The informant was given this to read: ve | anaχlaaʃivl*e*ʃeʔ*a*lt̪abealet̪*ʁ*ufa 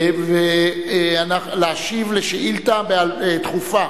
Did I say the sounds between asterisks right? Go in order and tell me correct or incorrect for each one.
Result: correct, incorrect: i, incorrect: χ

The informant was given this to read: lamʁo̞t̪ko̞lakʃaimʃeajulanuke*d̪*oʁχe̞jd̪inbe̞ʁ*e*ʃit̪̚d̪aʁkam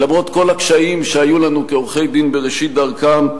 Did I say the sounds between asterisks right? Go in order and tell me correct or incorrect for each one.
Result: incorrect: none, correct

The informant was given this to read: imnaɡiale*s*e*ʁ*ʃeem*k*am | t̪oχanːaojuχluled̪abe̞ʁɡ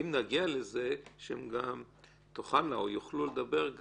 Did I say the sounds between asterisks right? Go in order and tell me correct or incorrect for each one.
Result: incorrect: z, incorrect: none, incorrect: ɡ

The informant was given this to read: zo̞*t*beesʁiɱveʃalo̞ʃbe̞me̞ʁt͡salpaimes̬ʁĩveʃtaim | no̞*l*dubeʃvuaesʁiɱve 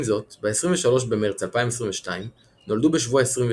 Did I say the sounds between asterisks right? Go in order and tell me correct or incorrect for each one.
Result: correct, correct

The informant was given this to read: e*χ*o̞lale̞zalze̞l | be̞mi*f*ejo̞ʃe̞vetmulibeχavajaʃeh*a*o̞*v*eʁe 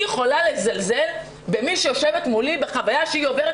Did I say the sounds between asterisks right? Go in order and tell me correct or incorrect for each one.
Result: correct, incorrect: ʃ, incorrect: i, correct

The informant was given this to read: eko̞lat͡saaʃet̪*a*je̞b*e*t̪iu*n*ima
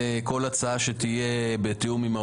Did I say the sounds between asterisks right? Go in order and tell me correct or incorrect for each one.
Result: incorrect: i, correct, incorrect: m

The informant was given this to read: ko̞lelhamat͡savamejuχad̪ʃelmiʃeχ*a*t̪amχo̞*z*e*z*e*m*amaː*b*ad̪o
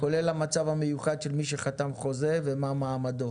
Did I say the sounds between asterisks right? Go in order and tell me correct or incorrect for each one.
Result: correct, correct, incorrect: v, correct, incorrect: m

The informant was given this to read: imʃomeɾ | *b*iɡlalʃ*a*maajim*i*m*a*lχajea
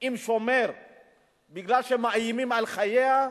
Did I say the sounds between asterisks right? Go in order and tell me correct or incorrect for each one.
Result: correct, incorrect: e, correct, correct

